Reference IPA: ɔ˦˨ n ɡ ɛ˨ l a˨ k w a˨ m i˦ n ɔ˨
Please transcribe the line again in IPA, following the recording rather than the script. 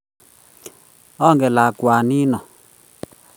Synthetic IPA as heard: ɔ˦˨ ŋ ɡ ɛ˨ l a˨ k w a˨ n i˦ n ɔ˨